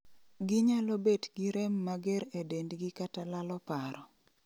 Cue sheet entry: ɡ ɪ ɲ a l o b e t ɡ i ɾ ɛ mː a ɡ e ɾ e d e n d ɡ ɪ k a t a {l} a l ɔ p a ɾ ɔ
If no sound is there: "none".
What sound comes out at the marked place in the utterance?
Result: l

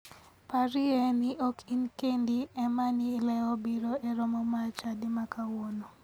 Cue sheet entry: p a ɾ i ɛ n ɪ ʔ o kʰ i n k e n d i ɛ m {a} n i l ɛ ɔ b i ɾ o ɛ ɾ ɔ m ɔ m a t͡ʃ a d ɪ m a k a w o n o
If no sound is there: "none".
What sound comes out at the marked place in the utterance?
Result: a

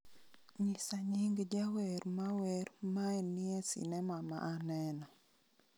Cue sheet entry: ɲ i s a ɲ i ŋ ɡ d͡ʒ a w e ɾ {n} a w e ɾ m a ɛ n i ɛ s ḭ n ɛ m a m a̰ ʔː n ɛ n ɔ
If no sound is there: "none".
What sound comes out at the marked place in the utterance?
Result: m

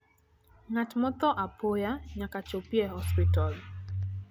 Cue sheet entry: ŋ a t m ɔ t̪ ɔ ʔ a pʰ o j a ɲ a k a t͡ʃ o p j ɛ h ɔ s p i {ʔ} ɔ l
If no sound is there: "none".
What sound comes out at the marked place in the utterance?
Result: t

